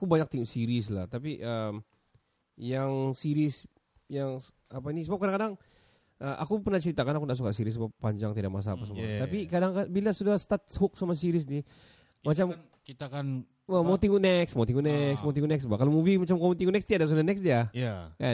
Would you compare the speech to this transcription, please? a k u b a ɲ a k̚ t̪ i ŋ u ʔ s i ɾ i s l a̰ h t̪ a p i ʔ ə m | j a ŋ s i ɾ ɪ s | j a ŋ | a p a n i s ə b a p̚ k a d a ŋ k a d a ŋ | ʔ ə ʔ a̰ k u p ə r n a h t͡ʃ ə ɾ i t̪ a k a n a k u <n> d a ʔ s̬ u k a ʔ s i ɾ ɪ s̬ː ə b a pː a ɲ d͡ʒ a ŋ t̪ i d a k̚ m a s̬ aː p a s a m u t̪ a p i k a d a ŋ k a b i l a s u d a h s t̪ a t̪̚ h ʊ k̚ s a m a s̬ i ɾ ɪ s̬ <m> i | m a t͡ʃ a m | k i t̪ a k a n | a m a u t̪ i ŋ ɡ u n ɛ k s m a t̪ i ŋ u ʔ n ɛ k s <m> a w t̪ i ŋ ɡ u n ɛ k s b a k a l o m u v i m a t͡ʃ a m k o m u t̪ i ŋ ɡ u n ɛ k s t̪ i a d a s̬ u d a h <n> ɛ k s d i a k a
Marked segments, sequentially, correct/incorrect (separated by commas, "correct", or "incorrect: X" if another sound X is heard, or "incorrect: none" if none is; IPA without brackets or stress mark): correct, incorrect: n, correct, correct